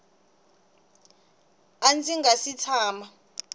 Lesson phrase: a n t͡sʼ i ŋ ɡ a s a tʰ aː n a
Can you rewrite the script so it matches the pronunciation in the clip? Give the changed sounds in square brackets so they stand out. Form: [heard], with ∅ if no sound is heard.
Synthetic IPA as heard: a n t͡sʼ i ŋ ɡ a s [i] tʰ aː [m] a